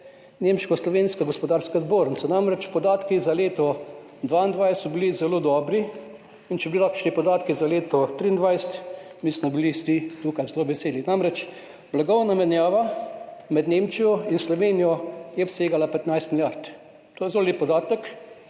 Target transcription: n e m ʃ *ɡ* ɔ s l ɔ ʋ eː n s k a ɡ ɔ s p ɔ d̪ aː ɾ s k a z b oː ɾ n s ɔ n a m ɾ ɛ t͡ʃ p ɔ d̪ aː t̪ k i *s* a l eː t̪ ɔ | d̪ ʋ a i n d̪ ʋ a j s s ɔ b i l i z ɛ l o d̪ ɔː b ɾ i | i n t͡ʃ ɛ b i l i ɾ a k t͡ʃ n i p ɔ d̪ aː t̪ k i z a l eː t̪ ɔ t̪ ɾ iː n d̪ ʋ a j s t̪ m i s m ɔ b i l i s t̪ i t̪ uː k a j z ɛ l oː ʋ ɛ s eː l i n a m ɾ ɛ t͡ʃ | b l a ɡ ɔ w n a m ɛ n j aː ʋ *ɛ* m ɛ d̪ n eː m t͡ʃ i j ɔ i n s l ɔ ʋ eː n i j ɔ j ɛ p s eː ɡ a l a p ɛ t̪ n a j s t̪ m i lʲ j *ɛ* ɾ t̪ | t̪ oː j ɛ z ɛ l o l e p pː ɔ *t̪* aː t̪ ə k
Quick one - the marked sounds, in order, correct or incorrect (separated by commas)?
incorrect, incorrect, incorrect, incorrect, incorrect